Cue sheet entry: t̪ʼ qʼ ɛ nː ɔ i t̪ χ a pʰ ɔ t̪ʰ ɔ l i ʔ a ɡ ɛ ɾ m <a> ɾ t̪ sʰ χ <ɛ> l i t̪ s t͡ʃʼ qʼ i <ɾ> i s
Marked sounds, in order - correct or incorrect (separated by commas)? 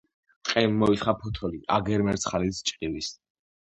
incorrect, incorrect, incorrect